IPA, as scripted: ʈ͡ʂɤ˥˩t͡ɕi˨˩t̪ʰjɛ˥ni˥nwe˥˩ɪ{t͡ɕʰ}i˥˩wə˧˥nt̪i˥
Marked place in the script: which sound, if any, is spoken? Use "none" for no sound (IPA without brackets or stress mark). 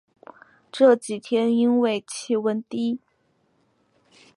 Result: t͡ɕʰ